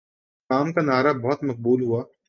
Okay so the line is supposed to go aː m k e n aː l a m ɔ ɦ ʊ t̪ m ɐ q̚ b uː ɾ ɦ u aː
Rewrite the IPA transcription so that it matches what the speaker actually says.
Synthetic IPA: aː m k a n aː ɾ a b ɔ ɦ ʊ t̪ m ɐ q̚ b uː l ɦ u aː